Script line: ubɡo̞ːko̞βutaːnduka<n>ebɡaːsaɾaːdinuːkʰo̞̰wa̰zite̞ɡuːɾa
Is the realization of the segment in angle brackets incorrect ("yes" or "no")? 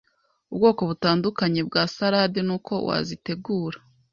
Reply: yes